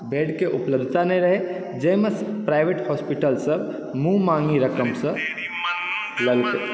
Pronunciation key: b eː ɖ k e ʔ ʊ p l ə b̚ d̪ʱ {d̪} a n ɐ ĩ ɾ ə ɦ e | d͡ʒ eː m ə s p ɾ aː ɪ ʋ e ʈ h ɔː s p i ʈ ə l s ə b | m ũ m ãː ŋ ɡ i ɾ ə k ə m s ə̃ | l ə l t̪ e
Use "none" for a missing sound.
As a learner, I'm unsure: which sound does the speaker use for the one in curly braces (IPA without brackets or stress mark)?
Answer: t̪